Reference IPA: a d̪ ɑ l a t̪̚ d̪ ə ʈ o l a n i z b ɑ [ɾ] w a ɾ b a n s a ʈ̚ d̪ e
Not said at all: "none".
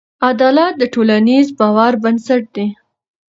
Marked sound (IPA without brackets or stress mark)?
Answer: none